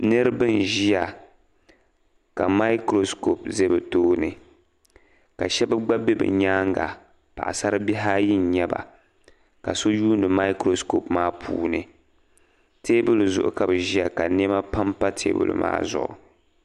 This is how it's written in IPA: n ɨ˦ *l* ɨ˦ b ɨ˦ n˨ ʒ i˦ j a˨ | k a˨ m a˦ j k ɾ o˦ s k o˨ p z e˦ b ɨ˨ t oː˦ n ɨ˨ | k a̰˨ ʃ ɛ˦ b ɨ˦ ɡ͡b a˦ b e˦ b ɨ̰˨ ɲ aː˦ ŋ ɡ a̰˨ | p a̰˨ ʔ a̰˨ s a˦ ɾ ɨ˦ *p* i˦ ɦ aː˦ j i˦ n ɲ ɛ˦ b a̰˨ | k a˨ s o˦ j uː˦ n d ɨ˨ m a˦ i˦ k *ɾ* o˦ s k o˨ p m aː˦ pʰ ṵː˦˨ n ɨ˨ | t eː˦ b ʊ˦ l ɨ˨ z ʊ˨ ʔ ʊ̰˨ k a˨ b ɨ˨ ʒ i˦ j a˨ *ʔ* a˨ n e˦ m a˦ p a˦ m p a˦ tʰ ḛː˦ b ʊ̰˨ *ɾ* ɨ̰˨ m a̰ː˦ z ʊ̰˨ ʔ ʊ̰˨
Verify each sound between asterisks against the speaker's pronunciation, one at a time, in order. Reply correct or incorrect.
incorrect, incorrect, correct, incorrect, incorrect

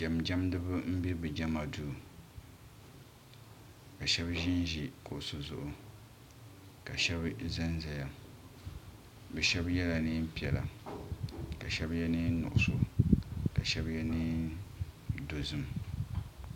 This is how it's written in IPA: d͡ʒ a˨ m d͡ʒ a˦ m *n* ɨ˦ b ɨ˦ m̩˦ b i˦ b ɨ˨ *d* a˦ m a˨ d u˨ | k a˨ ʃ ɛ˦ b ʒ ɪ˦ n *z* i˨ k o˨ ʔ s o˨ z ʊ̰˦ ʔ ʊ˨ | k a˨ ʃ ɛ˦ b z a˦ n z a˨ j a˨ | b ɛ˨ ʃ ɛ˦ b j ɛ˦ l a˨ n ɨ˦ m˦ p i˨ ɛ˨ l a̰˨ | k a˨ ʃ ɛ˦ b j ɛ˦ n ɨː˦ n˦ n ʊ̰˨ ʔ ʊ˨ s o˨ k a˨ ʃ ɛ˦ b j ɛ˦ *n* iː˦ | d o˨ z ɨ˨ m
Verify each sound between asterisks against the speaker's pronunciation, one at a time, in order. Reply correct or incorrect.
incorrect, incorrect, incorrect, correct

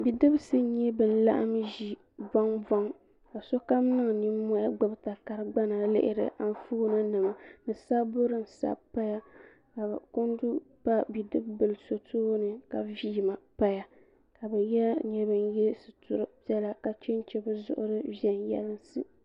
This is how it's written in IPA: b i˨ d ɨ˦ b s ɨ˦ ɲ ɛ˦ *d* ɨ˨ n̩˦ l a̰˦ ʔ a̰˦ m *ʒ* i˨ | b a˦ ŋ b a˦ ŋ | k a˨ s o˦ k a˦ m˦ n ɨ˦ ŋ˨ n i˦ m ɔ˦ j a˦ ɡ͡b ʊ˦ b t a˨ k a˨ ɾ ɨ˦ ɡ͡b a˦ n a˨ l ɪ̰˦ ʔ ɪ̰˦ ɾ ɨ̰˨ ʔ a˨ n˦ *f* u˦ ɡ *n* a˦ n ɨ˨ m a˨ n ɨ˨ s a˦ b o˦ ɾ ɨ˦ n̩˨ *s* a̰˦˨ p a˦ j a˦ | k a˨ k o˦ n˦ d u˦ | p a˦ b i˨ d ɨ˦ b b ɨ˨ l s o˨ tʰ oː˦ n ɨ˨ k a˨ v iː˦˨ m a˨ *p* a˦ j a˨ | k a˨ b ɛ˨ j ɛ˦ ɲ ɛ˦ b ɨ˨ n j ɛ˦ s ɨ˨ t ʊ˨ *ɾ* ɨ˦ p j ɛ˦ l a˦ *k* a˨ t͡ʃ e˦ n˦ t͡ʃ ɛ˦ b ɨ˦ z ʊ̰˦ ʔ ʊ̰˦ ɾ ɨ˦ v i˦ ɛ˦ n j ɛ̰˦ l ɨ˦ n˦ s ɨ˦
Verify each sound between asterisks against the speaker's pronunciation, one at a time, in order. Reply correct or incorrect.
incorrect, correct, correct, correct, correct, correct, correct, correct

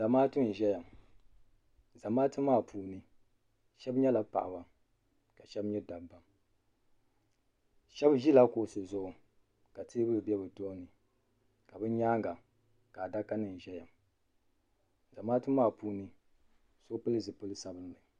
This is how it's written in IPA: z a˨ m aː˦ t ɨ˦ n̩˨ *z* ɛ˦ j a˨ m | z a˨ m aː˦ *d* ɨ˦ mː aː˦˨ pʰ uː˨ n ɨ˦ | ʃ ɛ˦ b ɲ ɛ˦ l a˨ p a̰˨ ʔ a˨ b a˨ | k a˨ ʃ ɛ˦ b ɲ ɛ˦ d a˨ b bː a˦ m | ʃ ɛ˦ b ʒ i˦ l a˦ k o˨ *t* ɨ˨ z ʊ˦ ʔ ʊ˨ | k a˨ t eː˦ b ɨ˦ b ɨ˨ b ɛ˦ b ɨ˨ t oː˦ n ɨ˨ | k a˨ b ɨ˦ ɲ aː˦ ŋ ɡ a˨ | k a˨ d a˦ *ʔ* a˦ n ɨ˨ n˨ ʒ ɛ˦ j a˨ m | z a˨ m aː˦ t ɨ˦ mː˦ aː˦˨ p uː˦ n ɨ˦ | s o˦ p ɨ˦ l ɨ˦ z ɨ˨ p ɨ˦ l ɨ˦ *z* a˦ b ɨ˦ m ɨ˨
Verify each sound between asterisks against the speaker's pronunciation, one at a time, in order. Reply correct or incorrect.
incorrect, incorrect, incorrect, incorrect, incorrect

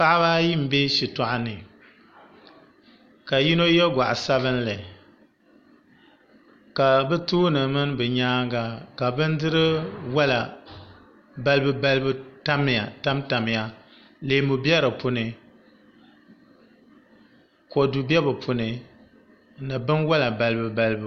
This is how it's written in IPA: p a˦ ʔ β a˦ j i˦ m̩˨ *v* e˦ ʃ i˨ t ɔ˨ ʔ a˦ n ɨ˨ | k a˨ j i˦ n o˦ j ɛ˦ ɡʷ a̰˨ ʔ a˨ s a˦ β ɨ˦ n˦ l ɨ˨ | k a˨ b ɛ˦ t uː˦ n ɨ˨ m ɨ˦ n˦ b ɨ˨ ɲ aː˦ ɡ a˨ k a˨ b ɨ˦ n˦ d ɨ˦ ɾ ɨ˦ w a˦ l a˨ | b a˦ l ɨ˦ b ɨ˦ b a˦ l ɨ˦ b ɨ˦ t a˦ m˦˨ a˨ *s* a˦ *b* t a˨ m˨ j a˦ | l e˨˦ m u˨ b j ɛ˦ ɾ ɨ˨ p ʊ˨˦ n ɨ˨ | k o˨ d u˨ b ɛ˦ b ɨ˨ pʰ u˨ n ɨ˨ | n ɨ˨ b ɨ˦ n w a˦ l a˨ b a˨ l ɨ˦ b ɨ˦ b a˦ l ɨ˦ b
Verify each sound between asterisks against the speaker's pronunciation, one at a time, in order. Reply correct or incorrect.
incorrect, incorrect, incorrect

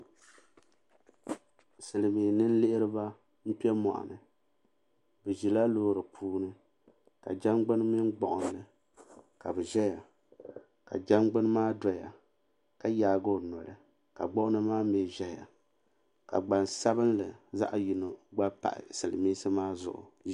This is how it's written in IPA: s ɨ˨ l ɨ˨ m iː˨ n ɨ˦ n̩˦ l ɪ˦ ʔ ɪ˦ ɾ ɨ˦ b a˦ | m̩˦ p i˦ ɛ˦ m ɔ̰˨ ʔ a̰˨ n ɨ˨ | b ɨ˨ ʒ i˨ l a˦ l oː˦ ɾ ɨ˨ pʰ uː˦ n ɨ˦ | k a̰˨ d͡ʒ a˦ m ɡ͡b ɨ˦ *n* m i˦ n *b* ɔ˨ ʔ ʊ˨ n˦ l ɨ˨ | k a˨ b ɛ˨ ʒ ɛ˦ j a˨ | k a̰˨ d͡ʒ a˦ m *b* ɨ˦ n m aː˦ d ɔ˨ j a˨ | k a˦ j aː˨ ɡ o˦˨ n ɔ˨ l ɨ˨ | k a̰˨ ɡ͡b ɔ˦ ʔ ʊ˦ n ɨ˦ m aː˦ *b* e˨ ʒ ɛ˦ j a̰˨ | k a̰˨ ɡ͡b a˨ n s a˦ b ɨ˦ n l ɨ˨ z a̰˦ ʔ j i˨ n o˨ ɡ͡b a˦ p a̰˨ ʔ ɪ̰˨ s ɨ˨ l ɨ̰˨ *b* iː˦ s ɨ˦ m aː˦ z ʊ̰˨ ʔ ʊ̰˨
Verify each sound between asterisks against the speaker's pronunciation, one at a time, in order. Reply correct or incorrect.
correct, incorrect, incorrect, incorrect, incorrect

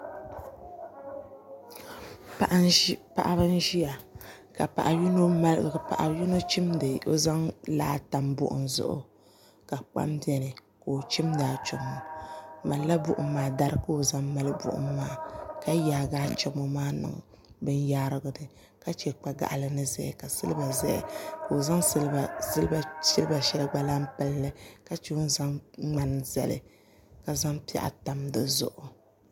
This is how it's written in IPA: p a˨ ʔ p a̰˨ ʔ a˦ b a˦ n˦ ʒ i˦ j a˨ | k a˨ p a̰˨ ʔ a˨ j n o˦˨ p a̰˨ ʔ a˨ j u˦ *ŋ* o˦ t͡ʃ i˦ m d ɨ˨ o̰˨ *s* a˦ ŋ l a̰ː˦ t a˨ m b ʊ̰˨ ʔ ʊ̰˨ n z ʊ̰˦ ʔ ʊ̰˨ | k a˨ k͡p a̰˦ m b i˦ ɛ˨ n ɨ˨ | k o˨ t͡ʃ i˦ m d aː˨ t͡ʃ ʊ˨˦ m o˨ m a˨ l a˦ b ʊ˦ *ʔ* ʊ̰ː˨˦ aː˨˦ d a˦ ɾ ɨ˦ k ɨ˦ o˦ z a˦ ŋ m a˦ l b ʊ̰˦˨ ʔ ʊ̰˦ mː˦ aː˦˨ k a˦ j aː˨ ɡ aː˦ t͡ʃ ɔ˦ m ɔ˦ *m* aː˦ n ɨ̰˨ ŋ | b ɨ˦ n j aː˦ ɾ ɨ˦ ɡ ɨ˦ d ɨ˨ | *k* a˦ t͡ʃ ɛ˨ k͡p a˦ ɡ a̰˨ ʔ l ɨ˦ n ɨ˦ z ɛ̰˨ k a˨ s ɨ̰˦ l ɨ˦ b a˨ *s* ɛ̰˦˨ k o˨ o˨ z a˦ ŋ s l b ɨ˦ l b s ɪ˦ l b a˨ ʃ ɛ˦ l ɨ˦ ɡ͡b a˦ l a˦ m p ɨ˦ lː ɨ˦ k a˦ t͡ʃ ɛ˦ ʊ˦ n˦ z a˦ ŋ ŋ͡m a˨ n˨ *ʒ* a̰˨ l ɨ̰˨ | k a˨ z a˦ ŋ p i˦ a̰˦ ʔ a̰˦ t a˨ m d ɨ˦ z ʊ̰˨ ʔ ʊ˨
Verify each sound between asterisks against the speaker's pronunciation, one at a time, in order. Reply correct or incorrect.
incorrect, incorrect, correct, correct, correct, incorrect, incorrect

